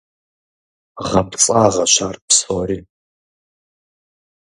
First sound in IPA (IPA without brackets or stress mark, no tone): ʁ